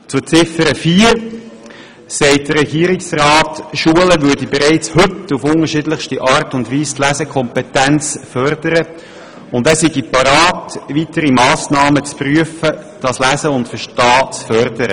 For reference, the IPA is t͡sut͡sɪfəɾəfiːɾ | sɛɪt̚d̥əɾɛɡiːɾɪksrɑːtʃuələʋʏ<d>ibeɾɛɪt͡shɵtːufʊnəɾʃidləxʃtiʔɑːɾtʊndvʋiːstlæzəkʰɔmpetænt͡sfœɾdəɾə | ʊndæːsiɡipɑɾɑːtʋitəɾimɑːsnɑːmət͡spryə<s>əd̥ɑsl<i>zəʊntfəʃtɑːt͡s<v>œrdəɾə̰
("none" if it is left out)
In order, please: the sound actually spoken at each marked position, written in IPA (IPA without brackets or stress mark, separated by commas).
d, f, æ, f